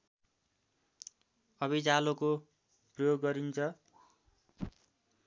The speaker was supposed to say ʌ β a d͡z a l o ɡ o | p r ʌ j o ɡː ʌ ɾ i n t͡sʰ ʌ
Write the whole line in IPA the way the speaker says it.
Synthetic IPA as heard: ʌ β i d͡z a l o k o | p r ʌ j o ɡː ʌ ɾ i n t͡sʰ ʌ